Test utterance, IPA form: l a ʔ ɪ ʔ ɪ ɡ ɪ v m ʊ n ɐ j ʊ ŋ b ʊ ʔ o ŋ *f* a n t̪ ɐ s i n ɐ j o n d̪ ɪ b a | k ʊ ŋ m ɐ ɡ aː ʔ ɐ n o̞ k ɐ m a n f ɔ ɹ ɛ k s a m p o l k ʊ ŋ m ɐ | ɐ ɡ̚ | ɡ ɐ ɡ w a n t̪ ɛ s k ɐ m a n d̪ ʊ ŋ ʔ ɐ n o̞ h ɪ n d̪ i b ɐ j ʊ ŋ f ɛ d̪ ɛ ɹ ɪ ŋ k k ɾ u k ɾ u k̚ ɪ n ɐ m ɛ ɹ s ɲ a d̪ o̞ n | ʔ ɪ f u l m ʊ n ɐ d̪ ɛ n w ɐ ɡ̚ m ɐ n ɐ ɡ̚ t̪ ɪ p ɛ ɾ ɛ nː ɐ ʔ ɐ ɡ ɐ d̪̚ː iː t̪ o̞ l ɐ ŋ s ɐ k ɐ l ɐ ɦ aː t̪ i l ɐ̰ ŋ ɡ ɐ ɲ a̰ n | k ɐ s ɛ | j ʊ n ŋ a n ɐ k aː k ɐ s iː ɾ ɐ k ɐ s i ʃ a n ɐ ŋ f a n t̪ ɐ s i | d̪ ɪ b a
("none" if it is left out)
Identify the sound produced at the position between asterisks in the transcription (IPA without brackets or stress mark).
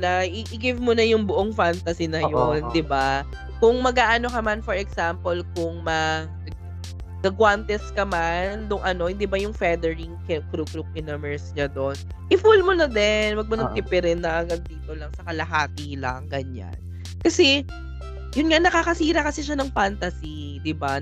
f